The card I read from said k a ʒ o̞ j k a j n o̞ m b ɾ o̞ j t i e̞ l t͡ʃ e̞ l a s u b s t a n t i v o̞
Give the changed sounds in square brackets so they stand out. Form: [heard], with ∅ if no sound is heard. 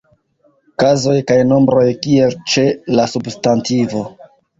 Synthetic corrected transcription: k a [z] o̞ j k a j n o̞ m b ɾ o̞ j [k] i e̞ l t͡ʃ e̞ l a s u b s t a n t i v o̞

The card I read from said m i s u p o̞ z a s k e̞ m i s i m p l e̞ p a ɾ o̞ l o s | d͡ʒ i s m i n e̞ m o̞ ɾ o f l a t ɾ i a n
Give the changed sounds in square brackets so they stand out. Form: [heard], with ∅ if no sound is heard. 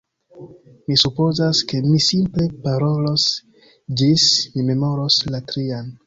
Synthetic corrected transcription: m i s u p o̞ z a s k e̞ m i s i m p l e̞ p a ɾ o̞ l o s | d͡ʒ i s m i [m] e̞ m o̞ ɾ o [s] l a t ɾ i a n

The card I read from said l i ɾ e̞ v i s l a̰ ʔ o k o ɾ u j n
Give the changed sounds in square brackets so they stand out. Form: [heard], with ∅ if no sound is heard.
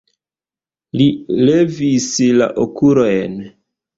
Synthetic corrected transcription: l i [l] e̞ v i s l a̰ ʔ o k [u] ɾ [o] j n

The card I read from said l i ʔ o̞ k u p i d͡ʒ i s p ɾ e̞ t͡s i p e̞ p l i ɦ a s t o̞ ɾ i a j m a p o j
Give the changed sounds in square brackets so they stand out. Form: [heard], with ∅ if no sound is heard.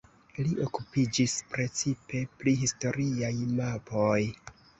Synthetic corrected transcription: l i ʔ o̞ k u p i d͡ʒ i s p ɾ e̞ t͡s i p e̞ p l i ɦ [i] s t o̞ ɾ i a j m a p o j

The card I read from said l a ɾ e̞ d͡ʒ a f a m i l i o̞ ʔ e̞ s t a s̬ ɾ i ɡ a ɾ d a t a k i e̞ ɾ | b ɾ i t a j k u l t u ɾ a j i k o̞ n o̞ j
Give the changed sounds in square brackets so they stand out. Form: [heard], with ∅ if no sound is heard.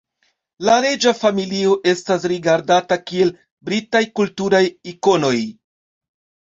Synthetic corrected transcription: l a ɾ e̞ d͡ʒ a f a m i l i o̞ ʔ e̞ s t a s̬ ɾ i ɡ a ɾ d a t a k i e̞ [l] | b ɾ i t a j k u l t u ɾ a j i k o̞ n o̞ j

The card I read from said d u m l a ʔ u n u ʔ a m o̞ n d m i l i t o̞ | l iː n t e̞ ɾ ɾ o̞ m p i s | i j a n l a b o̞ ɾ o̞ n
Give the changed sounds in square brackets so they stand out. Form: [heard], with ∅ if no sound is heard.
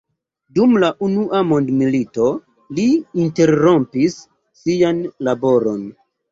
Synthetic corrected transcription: d u m l a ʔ u n u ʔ a m o̞ n d m i l i t o̞ | l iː n t e̞ ɾ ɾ o̞ m p i [sː] | i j a n l a b o̞ ɾ o̞ n

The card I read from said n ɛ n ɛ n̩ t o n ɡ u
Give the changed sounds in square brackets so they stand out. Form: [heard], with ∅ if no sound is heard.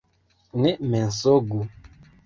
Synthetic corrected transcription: n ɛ [m] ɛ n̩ [s] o [∅] ɡ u

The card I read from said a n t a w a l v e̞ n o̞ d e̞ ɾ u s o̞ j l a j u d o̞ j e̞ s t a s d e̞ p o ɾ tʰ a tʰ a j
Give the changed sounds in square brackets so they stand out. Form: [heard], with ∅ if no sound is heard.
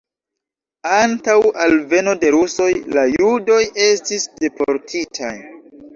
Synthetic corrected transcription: a n t a w a l v e̞ n o̞ d e̞ ɾ u s o̞ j l a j u d o̞ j e̞ s t [i] s d e̞ p o ɾ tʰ [i] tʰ a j

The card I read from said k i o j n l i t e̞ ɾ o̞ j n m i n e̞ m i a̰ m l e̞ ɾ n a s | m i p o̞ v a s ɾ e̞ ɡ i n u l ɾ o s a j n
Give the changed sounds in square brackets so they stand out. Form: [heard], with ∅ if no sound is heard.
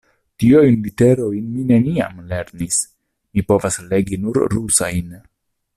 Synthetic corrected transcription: [t] i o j n l i t e̞ ɾ o̞ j n m i n e̞ [n] i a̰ m l e̞ ɾ n [i] s | m i p o̞ v a s [l] e̞ ɡ i n u [ɾ] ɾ [u] s a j n

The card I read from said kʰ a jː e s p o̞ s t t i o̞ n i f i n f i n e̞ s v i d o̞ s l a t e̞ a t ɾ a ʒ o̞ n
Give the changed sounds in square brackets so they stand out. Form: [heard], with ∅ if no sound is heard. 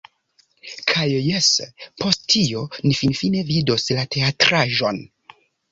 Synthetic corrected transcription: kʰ a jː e s p o̞ s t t i o̞ n i f i n f i n e̞ [∅] v i d o̞ s l a t e̞ a t ɾ a ʒ o̞ n

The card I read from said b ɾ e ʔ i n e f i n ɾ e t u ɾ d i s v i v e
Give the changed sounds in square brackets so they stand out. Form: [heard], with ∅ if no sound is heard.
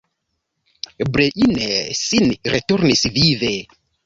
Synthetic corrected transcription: b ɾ e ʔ i n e [s] i n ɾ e t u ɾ [n] i s v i v e

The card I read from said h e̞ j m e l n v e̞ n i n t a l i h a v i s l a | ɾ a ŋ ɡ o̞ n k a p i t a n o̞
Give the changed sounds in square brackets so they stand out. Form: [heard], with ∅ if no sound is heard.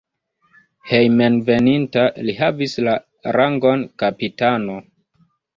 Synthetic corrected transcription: h e̞ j m e [∅] n v e̞ n i n t a l i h a v i s l a | ɾ a ŋ ɡ o̞ n k a p i t a n o̞

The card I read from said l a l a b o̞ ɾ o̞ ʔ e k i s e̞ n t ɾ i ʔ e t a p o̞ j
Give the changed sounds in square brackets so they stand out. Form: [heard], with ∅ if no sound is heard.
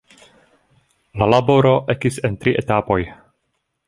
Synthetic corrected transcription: l a l a b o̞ ɾ o̞ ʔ e k i s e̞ n t ɾ i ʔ e t a p o̞ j

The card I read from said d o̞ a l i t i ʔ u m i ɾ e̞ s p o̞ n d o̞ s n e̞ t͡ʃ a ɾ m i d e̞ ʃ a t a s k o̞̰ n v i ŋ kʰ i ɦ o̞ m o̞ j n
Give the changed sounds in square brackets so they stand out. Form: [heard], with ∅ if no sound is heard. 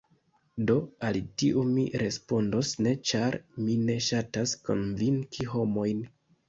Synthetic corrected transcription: d o̞ a l i t i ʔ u m i ɾ e̞ s p o̞ n d o̞ s n e̞ t͡ʃ a ɾ m i [n] e̞ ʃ a t a s k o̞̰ n v i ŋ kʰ i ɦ o̞ m o̞ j n

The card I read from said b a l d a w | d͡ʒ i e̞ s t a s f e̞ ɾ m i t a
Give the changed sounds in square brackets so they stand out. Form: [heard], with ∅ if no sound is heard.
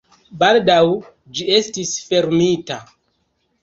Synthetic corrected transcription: b a l d a w | d͡ʒ i e̞ s t [i] s f e̞ ɾ m i t a

